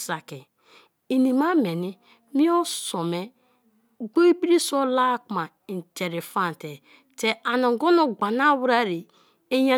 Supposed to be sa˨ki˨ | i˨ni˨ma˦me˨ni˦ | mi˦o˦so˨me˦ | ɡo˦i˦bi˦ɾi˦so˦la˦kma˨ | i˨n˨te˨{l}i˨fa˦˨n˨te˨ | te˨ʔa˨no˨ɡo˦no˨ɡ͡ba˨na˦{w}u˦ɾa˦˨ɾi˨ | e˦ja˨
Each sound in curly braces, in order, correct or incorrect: incorrect: ɾ, correct

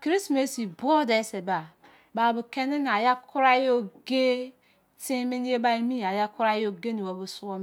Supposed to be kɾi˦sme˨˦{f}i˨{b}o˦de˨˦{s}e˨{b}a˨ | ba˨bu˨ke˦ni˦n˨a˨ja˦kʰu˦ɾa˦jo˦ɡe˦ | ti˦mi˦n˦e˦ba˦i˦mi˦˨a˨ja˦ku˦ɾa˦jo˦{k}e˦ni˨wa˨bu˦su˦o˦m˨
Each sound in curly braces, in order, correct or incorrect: incorrect: s, correct, correct, correct, incorrect: ɡ

